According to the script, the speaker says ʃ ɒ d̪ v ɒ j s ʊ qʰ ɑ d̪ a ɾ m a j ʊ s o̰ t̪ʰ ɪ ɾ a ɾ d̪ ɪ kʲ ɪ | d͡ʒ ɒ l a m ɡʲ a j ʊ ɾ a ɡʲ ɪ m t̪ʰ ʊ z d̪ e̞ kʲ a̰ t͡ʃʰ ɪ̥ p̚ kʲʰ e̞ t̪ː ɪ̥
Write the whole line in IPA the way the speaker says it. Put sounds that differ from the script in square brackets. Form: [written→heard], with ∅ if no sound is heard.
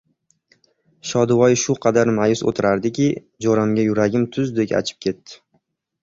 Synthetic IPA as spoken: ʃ ɒ d̪ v ɒ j [s→ʃ] ʊ qʰ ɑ d̪ a ɾ m a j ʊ s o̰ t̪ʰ ɪ ɾ a ɾ d̪ ɪ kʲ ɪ | d͡ʒ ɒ [l→ɾ] a m ɡʲ a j ʊ ɾ a ɡʲ ɪ m t̪ʰ ʊ z d̪ e̞ kʲ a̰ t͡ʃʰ ɪ̥ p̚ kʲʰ e̞ t̪ː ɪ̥